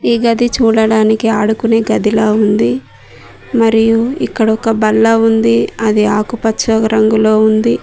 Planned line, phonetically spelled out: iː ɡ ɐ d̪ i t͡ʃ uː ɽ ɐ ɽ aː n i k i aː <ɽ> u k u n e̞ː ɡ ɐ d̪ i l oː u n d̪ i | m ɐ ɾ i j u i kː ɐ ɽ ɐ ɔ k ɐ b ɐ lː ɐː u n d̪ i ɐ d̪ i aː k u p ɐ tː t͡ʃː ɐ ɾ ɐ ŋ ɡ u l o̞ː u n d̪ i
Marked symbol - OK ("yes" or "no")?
yes